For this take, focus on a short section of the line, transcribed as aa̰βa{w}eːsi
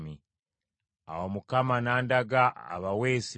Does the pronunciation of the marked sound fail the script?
no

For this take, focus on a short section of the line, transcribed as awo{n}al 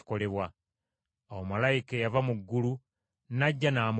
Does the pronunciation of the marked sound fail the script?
yes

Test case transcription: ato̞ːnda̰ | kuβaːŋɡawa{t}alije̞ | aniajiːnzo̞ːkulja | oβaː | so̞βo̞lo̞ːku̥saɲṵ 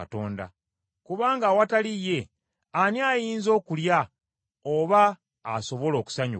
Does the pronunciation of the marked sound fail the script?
no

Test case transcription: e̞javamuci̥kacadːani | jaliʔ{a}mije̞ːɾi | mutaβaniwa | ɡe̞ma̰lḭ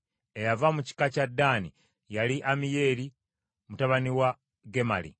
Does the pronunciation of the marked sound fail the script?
no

